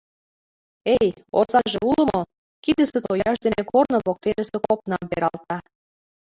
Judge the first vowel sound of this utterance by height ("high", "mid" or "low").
mid